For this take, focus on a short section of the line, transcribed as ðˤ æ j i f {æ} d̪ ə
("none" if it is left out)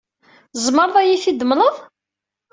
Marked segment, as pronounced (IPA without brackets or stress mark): i